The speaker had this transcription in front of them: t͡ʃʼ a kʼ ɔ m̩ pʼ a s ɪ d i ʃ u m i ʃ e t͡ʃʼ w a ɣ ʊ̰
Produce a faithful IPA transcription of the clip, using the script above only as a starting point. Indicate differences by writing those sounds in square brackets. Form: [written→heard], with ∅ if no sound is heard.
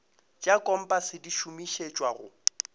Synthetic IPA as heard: t͡ʃʼ a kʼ ɔ m̩ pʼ a s ɪ d i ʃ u m i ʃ e t͡ʃʼ w a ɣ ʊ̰